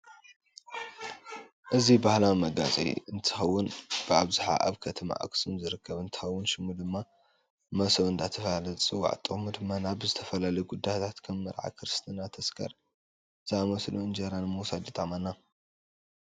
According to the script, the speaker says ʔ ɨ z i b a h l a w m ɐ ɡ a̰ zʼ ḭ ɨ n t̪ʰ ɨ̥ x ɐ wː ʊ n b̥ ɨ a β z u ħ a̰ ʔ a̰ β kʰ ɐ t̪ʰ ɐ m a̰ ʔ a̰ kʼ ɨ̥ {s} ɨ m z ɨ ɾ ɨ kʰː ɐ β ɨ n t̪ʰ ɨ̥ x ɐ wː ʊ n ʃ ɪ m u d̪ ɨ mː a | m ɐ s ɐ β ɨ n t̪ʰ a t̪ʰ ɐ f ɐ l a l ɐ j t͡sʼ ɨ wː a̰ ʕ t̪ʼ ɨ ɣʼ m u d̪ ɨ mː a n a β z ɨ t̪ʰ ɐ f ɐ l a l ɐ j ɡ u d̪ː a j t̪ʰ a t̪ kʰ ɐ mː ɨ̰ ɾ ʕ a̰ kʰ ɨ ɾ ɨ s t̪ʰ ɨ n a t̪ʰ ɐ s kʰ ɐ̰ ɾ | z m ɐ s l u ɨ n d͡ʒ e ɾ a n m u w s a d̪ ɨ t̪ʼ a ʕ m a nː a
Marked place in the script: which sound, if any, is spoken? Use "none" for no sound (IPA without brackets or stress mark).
s